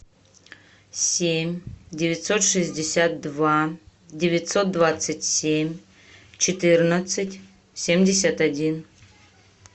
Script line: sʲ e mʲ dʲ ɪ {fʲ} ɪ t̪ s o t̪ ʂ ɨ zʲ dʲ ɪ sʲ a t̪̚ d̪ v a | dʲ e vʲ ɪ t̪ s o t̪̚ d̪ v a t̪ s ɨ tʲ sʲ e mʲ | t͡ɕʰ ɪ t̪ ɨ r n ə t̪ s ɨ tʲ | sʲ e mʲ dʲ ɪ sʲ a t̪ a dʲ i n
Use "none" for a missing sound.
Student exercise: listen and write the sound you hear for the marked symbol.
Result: vʲ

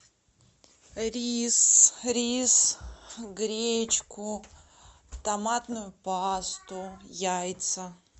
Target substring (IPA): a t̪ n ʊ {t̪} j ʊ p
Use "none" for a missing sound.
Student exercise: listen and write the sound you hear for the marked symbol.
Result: none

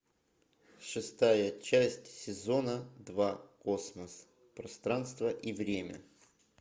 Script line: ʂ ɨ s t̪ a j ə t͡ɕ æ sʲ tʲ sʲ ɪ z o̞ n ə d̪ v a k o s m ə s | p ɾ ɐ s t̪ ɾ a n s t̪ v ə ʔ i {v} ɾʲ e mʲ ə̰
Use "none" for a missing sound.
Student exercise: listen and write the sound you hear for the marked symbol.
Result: v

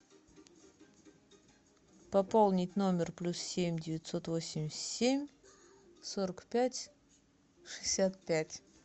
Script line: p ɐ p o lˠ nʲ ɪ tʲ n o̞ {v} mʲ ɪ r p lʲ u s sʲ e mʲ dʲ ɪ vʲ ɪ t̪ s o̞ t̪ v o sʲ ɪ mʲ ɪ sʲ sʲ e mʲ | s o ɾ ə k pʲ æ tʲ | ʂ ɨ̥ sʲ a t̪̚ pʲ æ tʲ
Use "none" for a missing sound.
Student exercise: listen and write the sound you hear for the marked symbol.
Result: none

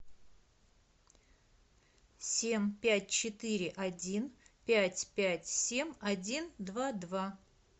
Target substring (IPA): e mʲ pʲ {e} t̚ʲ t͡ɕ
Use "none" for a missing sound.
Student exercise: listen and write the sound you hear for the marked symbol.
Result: æ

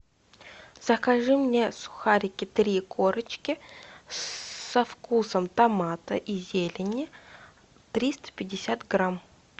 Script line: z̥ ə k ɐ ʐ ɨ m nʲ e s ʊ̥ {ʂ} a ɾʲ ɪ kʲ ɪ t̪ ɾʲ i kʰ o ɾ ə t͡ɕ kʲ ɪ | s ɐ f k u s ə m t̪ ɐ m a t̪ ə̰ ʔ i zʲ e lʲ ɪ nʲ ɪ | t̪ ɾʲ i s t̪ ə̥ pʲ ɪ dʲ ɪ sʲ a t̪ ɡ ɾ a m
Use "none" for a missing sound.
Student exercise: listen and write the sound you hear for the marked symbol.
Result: x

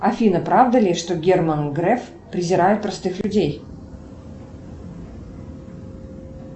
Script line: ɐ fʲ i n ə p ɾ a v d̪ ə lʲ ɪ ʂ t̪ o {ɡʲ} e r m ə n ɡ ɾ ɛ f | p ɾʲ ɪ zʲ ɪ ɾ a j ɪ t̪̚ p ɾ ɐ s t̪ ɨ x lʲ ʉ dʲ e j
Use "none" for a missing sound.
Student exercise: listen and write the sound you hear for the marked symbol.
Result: ɡʲ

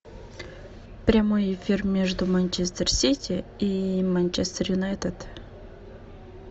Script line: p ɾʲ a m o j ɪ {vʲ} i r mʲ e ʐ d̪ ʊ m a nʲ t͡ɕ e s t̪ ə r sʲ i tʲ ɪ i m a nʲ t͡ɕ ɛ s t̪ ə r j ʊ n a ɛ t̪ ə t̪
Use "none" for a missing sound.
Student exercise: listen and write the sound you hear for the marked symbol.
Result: fʲ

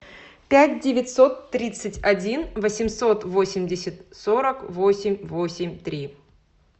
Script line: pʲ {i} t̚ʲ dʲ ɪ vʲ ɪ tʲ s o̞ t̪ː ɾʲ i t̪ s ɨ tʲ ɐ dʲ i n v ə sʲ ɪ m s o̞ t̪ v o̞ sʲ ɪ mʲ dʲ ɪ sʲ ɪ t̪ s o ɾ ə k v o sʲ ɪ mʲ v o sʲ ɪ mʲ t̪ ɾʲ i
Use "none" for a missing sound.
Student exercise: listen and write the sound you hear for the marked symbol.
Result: æ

